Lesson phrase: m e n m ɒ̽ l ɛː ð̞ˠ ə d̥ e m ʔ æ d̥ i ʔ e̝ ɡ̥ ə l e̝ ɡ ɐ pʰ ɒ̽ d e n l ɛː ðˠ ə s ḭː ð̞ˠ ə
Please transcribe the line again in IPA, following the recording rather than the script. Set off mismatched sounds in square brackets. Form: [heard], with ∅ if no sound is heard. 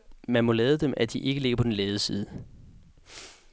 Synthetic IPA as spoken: m [æ] n m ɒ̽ l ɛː ð̞ˠ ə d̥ e m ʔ æ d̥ i ʔ e̝ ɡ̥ ə l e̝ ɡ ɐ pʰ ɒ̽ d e n l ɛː ðˠ ə s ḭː ð̞ˠ ə